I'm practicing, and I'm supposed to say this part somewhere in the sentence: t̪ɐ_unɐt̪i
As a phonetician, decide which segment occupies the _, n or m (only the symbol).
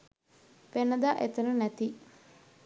n